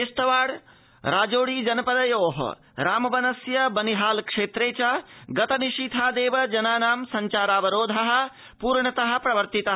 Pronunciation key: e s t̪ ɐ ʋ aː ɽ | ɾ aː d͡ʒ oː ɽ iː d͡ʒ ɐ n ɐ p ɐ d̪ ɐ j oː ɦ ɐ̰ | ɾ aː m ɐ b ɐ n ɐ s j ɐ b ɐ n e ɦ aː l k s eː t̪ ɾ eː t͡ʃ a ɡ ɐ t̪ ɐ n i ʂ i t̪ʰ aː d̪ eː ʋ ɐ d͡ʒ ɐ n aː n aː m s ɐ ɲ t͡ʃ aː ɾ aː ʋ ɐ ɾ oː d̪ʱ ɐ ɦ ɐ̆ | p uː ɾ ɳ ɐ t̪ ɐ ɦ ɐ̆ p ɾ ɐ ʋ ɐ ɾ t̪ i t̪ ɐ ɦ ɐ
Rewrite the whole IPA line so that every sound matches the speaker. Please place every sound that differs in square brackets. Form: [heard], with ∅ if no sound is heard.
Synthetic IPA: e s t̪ ɐ ʋ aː ɽ | ɾ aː d͡ʒ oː ɽ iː d͡ʒ ɐ n ɐ p ɐ d̪ ɐ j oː ɦ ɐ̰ | ɾ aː m ɐ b ɐ n ɐ s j ɐ b ɐ n [i] ɦ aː l k [ʂ] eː t̪ ɾ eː t͡ʃ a ɡ ɐ t̪ ɐ n i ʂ i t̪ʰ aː d̪ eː ʋ ɐ d͡ʒ ɐ n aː n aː m s ɐ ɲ t͡ʃ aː ɾ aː ʋ ɐ ɾ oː d̪ʱ ɐ ɦ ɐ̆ | p uː ɾ ɳ ɐ t̪ ɐ ɦ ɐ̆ p ɾ ɐ ʋ ɐ ɾ t̪ i t̪ ɐ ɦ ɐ